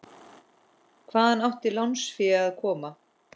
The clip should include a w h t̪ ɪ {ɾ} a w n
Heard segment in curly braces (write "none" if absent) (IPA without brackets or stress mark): l